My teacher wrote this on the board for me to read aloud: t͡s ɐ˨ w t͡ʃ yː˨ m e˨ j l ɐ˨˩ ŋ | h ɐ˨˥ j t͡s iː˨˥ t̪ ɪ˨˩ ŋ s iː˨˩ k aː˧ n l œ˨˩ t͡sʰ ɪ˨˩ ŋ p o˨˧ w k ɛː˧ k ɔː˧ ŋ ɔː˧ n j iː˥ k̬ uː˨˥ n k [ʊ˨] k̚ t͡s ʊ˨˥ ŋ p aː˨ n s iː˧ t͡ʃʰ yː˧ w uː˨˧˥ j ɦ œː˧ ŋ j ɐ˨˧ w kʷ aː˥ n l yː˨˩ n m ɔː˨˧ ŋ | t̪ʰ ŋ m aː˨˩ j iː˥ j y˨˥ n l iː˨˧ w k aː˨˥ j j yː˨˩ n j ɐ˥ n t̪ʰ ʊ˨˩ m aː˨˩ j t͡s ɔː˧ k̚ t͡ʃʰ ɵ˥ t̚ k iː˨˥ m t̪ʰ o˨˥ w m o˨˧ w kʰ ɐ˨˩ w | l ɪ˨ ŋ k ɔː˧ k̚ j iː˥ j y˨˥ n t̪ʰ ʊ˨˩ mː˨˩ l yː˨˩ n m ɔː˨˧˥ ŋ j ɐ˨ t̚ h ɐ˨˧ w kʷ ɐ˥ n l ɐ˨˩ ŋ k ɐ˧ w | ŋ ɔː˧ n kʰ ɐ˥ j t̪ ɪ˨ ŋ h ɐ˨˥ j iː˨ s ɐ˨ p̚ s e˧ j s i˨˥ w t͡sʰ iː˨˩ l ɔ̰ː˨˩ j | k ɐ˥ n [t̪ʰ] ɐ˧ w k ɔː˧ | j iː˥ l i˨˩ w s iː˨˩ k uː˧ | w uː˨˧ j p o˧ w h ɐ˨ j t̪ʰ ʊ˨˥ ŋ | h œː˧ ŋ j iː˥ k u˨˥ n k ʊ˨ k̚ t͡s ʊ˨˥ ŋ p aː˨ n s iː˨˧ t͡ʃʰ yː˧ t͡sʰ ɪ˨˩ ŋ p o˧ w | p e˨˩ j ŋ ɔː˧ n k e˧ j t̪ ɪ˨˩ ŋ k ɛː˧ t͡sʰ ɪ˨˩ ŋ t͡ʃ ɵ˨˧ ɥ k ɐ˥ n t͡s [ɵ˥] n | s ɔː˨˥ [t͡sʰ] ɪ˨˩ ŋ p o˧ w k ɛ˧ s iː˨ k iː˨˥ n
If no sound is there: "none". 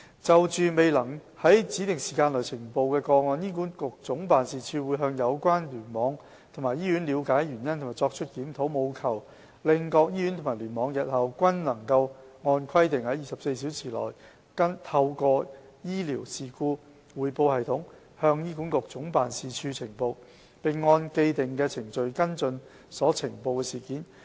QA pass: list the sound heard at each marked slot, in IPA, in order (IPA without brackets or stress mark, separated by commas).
ʊ˨, t̪ʰ, ɵ˧, t͡sʰ